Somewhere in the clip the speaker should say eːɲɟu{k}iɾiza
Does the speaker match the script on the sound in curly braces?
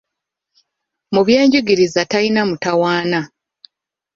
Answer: no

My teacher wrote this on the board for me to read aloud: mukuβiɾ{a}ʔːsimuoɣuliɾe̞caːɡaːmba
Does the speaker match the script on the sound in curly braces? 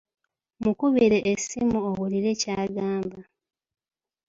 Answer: no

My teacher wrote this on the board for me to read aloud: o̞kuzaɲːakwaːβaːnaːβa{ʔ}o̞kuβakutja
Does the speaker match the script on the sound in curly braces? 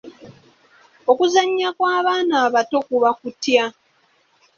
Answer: no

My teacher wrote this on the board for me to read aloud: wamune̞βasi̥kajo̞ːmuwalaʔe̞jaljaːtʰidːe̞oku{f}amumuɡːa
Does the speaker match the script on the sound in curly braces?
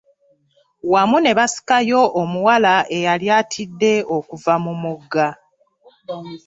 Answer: no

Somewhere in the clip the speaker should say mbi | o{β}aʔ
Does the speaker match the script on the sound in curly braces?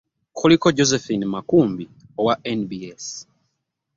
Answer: no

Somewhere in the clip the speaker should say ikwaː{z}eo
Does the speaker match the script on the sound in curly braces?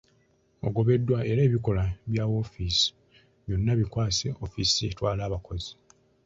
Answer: no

